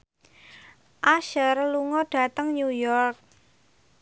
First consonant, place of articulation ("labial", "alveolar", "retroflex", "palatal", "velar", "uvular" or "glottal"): glottal